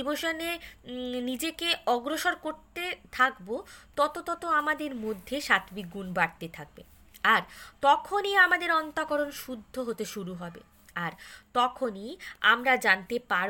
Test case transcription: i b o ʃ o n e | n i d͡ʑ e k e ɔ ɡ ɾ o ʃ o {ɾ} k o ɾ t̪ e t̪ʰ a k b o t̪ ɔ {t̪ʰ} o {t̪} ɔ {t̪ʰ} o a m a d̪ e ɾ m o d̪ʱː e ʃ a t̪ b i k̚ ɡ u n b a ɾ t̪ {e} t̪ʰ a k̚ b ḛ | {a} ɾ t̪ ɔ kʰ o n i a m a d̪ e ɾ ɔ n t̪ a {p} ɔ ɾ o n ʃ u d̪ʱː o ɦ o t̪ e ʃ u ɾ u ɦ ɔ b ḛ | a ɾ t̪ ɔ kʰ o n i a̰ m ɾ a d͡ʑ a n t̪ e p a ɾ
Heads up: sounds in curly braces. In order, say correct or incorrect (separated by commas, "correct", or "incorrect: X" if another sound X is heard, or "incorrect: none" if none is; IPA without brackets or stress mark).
correct, incorrect: t̪, correct, incorrect: t̪, correct, correct, incorrect: k